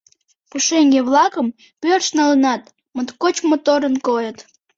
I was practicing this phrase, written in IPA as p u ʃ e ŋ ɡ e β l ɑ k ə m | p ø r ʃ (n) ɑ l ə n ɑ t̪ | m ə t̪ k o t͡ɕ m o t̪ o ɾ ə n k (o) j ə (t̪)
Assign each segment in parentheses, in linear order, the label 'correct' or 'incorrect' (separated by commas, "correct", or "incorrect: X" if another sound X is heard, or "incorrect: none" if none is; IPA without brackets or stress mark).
correct, correct, correct